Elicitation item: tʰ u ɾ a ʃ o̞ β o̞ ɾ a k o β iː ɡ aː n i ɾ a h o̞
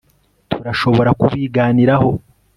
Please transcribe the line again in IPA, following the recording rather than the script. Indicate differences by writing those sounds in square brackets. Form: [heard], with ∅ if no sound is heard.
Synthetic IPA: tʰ u ɾ a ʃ o̞ β o̞ ɾ a k [u] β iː ɡ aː n i ɾ a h o̞